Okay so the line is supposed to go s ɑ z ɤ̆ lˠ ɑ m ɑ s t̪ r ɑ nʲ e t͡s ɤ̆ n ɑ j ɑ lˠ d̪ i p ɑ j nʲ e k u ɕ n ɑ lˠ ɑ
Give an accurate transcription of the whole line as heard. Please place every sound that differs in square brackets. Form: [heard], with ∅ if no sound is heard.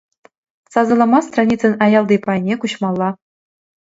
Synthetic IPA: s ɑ z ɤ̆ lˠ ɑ m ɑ s t̪ r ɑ nʲ [i] t͡s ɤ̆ n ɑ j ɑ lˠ d̪ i p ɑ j nʲ e k u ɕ [m] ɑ [lˠː] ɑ